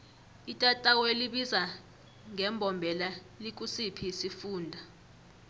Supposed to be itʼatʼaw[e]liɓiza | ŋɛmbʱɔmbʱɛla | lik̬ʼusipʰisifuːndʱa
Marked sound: correct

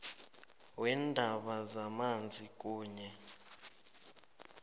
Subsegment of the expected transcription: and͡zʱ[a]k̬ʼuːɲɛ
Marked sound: incorrect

